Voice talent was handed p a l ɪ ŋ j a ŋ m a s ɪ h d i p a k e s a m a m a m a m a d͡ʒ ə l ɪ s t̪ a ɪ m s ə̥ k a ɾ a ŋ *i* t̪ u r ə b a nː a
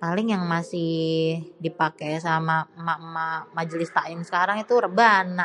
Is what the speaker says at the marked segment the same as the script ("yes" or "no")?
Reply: yes